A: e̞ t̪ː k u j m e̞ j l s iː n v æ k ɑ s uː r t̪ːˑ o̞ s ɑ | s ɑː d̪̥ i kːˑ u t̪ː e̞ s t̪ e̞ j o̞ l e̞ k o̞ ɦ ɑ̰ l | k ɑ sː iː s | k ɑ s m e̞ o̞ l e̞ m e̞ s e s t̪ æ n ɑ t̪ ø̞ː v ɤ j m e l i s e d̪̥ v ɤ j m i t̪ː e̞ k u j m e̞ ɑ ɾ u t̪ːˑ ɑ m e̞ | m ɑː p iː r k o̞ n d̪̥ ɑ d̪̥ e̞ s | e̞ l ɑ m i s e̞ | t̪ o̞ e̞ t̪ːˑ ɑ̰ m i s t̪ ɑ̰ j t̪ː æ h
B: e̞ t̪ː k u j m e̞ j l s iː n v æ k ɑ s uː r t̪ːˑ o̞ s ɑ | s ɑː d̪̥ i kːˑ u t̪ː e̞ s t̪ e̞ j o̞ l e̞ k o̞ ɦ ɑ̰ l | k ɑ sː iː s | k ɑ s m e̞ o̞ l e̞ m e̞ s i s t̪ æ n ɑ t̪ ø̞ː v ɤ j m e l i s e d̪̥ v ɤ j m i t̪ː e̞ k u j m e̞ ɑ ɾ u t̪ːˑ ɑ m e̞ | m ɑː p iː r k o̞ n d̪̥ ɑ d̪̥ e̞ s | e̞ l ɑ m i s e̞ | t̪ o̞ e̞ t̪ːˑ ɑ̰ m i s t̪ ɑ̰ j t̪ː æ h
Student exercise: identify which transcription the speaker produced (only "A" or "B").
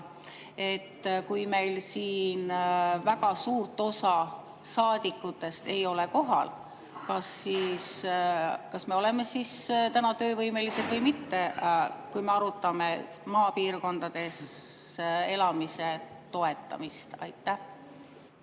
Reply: B